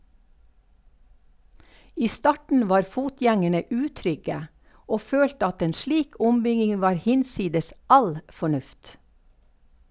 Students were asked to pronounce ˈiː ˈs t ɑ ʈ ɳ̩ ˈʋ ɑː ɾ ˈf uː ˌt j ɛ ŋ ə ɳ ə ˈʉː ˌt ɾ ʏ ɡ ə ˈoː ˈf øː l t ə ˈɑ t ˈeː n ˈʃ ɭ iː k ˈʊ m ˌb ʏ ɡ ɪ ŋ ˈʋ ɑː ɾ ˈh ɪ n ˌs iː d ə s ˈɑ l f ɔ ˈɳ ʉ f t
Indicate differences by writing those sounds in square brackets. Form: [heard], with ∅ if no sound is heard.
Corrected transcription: ˈiː ˈs t ɑ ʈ ɳ̩ ˈʋ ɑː ɾ ˈf uː ˌt j ɛ ŋ ə ɳ ə ˈʉː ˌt ɾ ʏ ɡ ə ˈoː ˈf øː l t ə ˈɑ t ˈeː n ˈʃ ɭ iː k ˈʊ m ˌb ʏ ɡ ɪ ŋ ˈʋ ɑː ɾ ˈh ɪ n ˌs iː d ə s ˈɑ l f ɔ ˈɳ ʉ f t